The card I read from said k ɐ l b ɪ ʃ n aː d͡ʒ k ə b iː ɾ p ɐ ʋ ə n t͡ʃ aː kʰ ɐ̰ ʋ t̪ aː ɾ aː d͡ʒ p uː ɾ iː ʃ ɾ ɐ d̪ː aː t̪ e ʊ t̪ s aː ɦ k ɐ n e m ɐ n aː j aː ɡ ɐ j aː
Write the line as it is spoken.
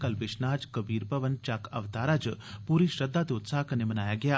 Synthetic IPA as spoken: k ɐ l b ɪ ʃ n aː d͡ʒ k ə b iː ɾ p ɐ ʋ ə n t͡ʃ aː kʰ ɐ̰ ʋ t̪ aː ɾ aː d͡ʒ p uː ɾ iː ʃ ɾ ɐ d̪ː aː t̪ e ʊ t̪ s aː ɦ k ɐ n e m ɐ n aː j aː ɡ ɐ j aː